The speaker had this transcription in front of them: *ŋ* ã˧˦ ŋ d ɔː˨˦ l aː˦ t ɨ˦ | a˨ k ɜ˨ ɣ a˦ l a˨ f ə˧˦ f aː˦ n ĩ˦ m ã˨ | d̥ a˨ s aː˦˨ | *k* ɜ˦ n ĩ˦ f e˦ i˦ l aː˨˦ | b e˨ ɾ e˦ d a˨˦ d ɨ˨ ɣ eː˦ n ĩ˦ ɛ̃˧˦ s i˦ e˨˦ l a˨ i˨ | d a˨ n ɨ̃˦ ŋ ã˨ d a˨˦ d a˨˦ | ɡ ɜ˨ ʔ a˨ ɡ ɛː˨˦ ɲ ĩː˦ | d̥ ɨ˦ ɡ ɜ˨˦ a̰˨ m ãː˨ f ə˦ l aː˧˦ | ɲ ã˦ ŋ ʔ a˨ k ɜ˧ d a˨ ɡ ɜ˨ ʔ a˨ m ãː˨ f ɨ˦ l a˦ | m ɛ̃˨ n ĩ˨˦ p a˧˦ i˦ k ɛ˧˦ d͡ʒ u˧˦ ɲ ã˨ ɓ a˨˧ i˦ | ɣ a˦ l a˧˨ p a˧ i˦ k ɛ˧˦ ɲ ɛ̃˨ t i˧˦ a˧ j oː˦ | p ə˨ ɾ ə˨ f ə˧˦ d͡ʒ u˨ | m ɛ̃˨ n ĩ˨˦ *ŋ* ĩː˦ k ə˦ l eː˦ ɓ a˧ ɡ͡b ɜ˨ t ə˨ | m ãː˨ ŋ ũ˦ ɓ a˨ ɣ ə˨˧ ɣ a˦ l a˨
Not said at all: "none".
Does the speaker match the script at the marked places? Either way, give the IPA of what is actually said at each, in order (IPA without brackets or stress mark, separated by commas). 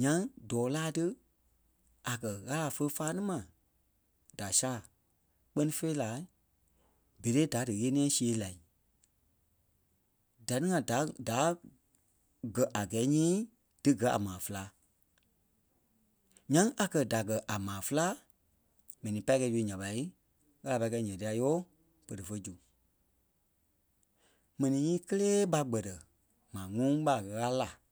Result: ɲ, k͡p, ɲ